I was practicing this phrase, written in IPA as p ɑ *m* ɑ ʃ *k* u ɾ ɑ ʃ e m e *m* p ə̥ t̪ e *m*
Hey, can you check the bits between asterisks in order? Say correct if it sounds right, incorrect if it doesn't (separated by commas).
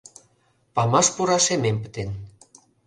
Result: correct, incorrect, correct, incorrect